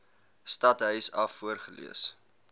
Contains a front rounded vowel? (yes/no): yes